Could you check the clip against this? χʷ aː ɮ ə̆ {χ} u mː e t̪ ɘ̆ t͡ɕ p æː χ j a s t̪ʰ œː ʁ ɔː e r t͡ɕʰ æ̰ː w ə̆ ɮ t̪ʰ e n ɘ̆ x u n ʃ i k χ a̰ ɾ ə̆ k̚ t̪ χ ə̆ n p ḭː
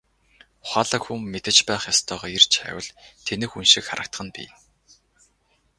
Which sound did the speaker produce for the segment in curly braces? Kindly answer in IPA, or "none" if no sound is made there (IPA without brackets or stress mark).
x